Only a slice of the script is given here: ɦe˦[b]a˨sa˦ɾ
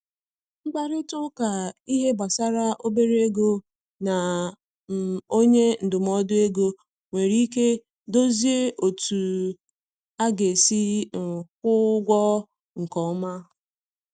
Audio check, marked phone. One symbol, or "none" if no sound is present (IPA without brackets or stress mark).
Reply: b